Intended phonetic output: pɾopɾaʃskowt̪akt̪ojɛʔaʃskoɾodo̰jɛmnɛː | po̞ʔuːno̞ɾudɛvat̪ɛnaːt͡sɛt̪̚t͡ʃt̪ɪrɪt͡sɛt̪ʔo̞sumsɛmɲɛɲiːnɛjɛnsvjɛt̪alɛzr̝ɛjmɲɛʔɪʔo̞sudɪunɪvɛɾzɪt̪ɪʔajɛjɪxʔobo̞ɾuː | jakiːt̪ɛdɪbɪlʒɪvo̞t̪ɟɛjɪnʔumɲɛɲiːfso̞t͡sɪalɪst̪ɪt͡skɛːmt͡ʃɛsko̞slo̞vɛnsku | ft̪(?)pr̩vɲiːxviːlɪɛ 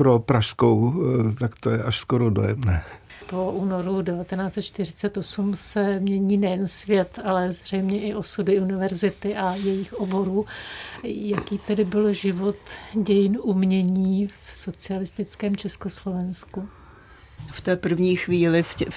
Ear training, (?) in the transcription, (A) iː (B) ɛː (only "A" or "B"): B